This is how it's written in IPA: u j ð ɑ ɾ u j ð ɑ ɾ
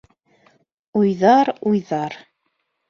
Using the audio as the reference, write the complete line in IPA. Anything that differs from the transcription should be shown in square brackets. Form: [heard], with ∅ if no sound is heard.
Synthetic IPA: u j ð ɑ ɾ u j ð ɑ ɾ